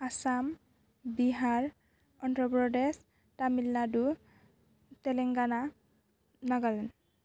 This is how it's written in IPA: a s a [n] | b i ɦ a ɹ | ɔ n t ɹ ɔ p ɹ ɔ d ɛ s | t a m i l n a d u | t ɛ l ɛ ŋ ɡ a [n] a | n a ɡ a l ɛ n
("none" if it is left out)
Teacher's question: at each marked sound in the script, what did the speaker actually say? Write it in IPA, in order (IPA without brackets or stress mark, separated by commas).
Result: m, n